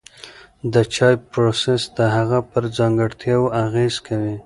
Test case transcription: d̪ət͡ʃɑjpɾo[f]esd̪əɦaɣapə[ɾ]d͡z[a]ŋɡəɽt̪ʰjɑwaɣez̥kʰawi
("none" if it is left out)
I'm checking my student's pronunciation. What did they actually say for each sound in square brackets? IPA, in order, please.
s, ɾ, ɑ

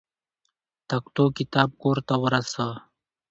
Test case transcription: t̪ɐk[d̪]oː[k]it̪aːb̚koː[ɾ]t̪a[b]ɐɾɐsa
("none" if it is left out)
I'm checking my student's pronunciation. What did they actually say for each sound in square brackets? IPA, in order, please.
t̪, k, ɾ, w

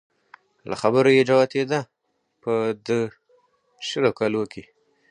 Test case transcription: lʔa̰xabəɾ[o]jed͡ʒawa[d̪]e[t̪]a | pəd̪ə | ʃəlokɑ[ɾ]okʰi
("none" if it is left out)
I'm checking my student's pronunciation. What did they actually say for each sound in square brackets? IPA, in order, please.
o, t̪, d̪, l

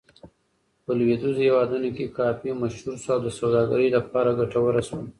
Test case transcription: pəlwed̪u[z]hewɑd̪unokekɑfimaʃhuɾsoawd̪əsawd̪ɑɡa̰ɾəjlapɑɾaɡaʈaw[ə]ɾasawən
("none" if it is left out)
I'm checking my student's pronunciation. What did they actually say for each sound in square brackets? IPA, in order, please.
z, ə

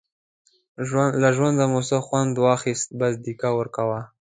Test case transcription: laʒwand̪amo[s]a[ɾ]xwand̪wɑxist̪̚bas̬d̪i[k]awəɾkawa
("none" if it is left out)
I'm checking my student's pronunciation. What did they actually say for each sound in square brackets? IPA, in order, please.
s, none, k

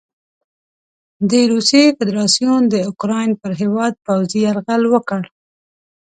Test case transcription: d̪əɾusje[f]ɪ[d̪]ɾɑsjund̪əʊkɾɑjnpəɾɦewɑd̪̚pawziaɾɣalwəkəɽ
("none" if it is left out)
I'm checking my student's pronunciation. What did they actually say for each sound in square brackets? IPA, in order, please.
f, d̪

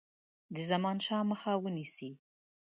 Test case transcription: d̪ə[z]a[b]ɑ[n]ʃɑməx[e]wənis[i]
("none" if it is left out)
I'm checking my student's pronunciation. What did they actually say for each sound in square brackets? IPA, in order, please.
z, m, n, a, i

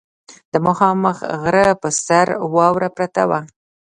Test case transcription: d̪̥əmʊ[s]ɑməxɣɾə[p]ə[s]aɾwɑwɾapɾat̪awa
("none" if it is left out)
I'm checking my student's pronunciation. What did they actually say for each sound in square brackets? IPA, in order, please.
x, p, s

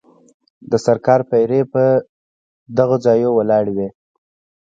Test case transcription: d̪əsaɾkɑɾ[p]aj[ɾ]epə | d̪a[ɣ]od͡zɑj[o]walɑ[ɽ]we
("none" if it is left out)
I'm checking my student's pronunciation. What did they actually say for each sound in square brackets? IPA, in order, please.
p, ɾ, ɣ, o, ɽ

